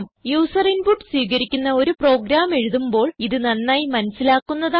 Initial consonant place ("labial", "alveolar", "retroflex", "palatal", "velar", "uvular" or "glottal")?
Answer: labial